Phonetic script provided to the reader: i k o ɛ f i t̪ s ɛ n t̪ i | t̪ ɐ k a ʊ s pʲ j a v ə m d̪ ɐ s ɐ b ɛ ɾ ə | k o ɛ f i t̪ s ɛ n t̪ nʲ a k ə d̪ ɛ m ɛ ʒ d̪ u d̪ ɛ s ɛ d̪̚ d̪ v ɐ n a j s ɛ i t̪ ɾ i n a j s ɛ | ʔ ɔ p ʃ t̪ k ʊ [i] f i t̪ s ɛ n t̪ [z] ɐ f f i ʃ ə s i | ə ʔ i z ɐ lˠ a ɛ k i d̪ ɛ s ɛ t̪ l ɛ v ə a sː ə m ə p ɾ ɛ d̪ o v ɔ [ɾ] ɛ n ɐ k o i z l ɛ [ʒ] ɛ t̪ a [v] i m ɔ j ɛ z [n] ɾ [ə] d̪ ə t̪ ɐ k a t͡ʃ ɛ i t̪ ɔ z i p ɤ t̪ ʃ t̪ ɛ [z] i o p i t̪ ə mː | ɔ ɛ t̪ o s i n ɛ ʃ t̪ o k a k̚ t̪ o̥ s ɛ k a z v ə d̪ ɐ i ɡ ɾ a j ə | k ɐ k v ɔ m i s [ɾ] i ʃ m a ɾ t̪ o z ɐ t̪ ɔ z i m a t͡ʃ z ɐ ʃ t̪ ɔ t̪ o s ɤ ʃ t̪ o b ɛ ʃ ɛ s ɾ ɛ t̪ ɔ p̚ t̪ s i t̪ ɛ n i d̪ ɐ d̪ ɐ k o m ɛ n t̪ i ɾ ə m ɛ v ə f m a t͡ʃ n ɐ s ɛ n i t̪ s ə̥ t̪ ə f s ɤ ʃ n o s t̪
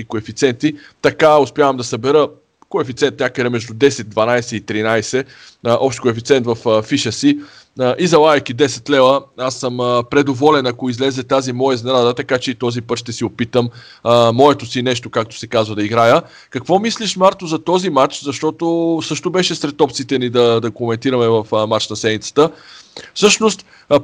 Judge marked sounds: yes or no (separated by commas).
no, no, no, no, no, yes, no, no, no